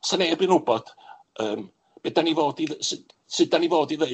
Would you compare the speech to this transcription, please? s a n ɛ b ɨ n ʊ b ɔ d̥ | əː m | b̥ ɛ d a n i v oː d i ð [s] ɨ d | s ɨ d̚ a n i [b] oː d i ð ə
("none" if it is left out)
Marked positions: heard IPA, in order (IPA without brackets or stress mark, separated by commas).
s, v